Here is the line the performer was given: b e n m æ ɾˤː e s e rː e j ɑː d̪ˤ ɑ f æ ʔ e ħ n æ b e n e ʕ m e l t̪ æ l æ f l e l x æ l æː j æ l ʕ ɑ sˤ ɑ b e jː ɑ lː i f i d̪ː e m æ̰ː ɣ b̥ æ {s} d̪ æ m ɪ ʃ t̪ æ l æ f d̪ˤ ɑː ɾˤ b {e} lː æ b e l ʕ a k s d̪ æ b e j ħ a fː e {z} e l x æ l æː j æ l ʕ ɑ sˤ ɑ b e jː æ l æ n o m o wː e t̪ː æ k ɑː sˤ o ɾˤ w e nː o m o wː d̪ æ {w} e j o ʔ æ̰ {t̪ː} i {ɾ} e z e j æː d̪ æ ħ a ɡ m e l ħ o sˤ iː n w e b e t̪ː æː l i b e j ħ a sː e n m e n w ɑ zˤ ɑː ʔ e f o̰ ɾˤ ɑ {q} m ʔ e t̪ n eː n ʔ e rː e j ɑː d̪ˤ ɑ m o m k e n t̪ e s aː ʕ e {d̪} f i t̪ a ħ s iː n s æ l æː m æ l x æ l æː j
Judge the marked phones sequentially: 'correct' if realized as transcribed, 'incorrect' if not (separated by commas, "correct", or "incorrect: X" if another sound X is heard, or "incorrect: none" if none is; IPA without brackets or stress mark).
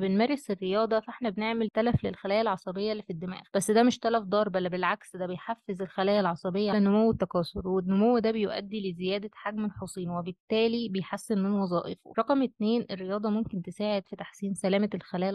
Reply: incorrect: sː, incorrect: æ, correct, incorrect: b, incorrect: d̪ː, incorrect: l, correct, correct